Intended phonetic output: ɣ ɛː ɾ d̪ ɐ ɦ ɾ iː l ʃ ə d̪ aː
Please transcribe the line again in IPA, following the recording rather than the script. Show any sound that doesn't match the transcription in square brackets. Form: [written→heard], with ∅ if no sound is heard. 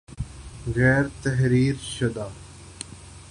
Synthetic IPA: ɣ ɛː ɾ [d̪→t̪] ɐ ɦ ɾ iː [l→ɾ] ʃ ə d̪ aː